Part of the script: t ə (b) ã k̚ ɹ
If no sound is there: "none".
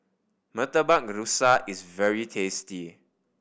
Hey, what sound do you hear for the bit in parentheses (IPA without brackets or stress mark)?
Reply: b